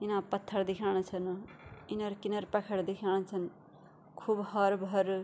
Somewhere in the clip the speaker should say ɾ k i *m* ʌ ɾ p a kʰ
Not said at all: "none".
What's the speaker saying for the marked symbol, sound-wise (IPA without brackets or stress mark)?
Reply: n